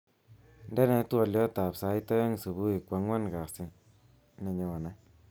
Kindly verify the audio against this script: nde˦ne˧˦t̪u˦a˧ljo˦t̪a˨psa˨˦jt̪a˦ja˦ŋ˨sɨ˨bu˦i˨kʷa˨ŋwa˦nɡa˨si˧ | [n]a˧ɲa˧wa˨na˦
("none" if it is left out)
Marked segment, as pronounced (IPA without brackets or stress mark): n